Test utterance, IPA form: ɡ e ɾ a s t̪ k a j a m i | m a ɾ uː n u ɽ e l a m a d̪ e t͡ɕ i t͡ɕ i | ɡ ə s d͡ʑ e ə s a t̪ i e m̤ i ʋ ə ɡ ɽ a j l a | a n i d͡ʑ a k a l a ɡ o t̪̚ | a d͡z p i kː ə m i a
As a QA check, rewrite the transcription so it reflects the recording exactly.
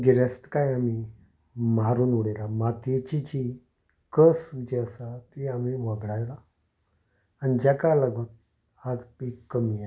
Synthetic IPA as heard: ɡ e ɾ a s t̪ k a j a m i | m a ɾ uː n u ɽ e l a m a t̪ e t͡ɕ i t͡ɕ i | k ə s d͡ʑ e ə s a t̪ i a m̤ i ʋ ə ɡ ɽ a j l a | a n i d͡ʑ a k a l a ɡ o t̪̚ | a d͡z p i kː ə m i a